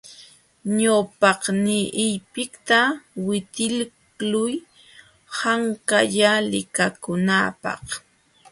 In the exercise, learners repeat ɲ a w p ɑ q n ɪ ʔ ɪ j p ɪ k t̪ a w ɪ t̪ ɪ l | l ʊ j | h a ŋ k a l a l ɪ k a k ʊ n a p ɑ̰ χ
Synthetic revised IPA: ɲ a w p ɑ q n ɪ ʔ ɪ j p ɪ k t̪ a w ɪ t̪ ɪ l | l ʊ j | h a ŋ k a ʎ a l ɪ k a k ʊ n a p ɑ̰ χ